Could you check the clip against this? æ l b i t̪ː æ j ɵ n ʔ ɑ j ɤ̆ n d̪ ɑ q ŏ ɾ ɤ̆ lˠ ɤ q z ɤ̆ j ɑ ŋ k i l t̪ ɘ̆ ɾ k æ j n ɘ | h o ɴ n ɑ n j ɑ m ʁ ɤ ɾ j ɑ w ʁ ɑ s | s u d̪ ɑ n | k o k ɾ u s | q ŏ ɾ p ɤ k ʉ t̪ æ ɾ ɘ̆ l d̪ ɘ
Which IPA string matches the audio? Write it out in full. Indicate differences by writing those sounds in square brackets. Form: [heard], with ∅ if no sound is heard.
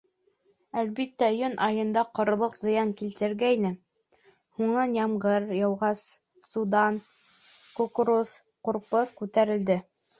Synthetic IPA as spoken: æ l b i t̪ː æ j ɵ n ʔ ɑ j ɤ̆ n d̪ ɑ q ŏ ɾ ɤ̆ lˠ ɤ q z ɤ̆ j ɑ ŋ k i l t̪ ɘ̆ ɾ [ɡ] æ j n ɘ | h [u] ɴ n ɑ n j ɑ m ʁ ɤ ɾ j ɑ w ʁ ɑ s | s u d̪ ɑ n | k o k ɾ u s | q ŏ ɾ p ɤ k ʉ t̪ æ ɾ ɘ̆ l d̪ ɘ